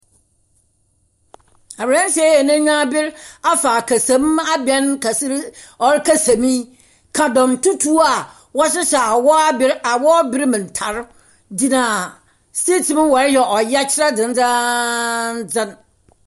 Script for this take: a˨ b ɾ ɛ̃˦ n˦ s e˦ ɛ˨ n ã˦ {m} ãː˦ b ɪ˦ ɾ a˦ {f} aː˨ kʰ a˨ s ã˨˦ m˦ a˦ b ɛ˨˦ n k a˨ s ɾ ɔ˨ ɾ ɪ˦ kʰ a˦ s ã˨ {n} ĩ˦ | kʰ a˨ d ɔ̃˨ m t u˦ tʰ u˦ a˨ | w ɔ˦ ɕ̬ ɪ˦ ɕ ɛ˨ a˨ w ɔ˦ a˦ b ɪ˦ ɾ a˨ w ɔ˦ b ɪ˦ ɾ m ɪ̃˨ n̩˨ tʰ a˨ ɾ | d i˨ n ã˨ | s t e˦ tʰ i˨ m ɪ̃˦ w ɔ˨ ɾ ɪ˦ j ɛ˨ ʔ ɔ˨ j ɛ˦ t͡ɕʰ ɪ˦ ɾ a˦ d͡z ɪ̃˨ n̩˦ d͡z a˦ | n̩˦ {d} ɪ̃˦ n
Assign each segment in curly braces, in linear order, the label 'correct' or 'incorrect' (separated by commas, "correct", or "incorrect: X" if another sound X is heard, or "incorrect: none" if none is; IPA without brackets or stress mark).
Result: incorrect: ɲ, correct, incorrect: m, incorrect: d͡z